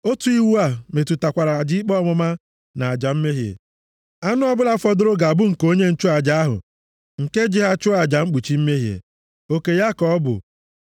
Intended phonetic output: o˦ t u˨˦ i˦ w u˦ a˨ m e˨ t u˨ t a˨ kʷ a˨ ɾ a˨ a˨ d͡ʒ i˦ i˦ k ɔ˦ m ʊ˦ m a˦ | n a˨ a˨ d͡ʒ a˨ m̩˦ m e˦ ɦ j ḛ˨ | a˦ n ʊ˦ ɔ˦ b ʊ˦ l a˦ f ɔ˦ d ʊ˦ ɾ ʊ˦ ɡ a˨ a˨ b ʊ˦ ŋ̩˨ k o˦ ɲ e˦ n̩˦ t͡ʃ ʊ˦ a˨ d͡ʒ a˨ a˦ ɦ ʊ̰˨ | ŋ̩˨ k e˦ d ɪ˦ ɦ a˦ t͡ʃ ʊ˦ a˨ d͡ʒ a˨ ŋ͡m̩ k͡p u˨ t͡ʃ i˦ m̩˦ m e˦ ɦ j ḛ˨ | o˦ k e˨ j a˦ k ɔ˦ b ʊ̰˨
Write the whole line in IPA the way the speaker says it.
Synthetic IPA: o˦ t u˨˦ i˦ w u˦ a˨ m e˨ t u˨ t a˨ kʷ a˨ ɾ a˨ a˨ d͡ʒ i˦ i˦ k͡p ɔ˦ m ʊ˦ m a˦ | n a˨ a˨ d͡ʒ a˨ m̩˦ m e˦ ɦ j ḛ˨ | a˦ n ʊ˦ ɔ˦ b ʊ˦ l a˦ f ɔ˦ d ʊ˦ ɾ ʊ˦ ɡ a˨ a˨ b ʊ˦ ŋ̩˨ k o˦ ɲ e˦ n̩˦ t͡ʃ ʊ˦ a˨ d͡ʒ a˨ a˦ ɦ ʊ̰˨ | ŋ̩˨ k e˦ d͡ʒ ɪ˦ ɦ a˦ t͡ʃ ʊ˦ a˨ d͡ʒ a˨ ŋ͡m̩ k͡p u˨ t͡ʃ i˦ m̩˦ m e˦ ɦ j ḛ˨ | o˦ k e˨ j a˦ k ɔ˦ b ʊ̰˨

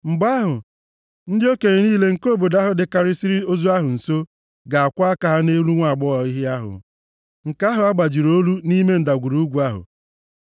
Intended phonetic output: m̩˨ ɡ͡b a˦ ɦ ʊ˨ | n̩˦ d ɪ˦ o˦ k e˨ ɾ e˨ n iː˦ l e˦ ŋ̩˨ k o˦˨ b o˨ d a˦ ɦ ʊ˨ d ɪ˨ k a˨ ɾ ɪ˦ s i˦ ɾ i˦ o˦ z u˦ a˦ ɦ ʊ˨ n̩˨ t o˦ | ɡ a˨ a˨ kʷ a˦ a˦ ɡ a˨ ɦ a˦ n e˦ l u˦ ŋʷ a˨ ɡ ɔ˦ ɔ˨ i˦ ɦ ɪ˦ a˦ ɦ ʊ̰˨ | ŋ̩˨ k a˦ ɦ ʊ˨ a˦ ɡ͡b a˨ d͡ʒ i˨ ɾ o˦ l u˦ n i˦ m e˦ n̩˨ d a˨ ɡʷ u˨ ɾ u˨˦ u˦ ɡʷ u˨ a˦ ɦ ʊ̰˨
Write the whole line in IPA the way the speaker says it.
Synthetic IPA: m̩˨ ɡ͡b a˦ ɦ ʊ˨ | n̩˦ d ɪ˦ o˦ k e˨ ɾ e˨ n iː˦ l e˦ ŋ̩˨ k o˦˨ b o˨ d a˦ ɦ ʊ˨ d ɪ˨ k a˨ ɾ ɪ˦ s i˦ ɾ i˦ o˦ z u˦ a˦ ɦ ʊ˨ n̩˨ s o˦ | ɡ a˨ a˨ kʷ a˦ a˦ k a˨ ɦ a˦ n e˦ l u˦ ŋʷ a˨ ɡ͡b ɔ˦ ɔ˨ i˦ ɦ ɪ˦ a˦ ɦ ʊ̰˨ | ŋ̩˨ k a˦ ɦ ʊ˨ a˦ ɡ͡b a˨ d͡ʒ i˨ ɾ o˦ l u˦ n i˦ m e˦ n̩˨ d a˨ ɡʷ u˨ ɾ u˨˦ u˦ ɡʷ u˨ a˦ ɦ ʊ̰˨

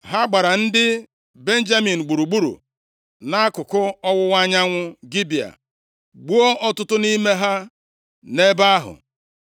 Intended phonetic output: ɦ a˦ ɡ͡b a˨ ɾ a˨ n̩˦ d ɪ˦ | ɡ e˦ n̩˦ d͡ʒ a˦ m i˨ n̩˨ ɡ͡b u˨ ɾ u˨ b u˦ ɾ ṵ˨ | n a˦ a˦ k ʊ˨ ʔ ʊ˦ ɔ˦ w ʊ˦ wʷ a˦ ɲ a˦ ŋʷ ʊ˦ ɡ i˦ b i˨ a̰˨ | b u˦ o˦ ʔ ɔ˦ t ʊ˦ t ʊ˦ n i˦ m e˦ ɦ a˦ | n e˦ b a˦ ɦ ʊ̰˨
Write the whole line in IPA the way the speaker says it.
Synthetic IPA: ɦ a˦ ɡ͡b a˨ ɾ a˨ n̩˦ d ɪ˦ | b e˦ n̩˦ d͡ʒ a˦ m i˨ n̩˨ ɡ͡b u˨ ɾ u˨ ɡ͡b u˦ ɾ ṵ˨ | n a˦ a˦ k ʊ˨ k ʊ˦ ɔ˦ w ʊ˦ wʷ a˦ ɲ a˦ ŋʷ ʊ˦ ɡ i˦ b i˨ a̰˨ | ɡ͡b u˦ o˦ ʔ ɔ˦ t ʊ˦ t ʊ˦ n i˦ m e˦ ɦ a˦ | n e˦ b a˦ ɦ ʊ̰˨

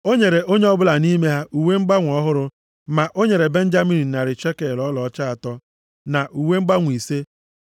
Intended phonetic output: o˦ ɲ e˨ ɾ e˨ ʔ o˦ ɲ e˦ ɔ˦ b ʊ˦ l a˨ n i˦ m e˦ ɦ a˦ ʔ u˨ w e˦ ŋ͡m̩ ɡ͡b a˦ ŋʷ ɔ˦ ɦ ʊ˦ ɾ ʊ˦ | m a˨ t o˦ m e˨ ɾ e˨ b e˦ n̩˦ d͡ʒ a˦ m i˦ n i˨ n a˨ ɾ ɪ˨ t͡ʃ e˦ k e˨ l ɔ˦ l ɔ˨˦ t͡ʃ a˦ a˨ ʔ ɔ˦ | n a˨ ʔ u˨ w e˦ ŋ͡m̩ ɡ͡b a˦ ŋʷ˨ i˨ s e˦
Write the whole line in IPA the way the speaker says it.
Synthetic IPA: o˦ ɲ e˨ ɾ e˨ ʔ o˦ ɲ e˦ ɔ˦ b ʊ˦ l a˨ n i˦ m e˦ ɦ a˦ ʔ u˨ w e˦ ŋ͡m̩ ɡ͡b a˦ ŋʷ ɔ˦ ɦ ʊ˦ ɾ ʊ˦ | m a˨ ʔ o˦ ɲ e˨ ɾ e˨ b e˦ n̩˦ d͡ʒ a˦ m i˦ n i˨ n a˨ ɾ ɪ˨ t͡ʃ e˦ k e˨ l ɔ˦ l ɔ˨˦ t͡ʃ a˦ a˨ t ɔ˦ | n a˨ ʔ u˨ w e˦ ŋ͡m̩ ɡ͡b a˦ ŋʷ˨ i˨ s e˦

